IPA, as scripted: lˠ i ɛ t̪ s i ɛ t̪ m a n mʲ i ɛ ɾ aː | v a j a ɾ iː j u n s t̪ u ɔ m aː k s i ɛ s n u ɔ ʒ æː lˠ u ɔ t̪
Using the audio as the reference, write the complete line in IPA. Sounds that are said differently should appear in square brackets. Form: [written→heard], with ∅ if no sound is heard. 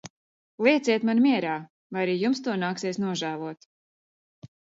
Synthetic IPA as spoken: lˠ i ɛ t̪ s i ɛ t̪ m a n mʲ i ɛ ɾ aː | v a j a ɾ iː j u [n→m] s t̪ u ɔ [m→n] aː k s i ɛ s n u ɔ ʒ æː lˠ u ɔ t̪